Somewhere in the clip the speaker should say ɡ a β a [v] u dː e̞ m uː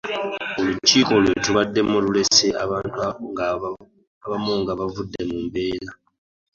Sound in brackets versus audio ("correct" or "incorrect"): correct